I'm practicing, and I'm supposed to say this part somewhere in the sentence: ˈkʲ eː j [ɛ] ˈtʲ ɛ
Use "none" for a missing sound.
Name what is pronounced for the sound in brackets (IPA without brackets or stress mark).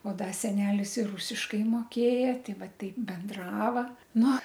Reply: ɛ